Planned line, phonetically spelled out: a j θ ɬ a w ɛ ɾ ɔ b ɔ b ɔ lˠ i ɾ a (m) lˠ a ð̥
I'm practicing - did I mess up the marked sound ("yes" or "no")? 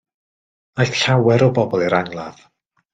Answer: yes